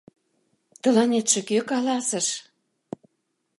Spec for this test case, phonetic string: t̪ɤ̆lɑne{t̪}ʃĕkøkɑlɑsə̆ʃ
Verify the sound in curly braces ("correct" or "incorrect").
correct